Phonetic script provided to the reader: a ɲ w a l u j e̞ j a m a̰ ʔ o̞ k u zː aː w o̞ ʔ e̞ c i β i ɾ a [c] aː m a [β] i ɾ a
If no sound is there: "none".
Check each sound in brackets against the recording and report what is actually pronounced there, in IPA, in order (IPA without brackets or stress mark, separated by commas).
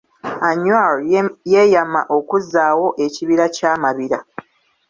c, β